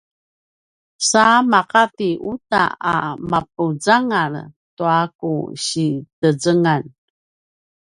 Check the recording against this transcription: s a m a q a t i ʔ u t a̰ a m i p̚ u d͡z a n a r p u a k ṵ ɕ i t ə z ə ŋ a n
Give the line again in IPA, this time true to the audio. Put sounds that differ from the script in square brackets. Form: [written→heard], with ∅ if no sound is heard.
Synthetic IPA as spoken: s a m a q a t i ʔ u t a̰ a m [i→a] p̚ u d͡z a [n→ŋ] a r [p→t] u a k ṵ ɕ i t ə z ə ŋ a n